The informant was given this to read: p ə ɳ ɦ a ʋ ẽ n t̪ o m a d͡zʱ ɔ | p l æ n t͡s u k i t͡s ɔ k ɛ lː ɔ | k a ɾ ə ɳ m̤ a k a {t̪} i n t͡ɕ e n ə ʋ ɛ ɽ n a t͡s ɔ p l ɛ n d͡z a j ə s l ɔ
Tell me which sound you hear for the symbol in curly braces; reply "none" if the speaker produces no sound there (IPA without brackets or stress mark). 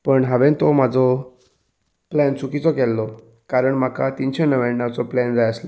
t̪